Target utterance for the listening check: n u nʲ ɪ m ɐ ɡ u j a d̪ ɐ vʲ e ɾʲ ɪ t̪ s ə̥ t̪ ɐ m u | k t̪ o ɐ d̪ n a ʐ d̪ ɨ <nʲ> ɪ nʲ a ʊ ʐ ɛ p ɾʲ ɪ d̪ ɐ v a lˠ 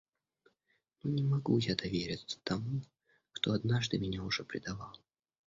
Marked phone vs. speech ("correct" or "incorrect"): incorrect